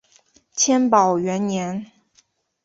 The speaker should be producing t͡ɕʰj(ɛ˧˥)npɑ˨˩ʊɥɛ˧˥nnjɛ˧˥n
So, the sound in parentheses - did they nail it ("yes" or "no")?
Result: no